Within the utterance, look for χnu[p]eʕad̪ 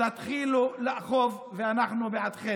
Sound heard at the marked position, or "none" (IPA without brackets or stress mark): b